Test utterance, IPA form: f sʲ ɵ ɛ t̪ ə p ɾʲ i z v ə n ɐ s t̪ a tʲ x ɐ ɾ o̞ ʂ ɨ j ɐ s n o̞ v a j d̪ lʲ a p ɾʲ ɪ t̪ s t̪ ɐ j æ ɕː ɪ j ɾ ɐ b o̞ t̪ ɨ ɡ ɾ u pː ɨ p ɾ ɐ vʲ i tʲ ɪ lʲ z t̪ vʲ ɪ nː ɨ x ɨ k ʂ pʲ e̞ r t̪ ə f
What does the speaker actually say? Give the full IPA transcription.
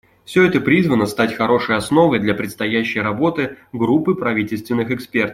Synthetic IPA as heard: f sʲ ɵ ɛ t̪ ə p ɾʲ i z v ə n ə s t̪ a tʲ x ɐ ɾ o̞ ʂ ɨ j ɐ s n o̞ v ə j d̪ lʲ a p ɾʲ ɪ t̪ s t̪ ɐ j æ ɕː ɪ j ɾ ɐ b o̞ t̪ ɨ ɡ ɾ u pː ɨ p ɾ ɐ vʲ i tʲ ɪ lʲ s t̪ vʲ ɪ nː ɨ x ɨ k s pʲ e̞ r t̪ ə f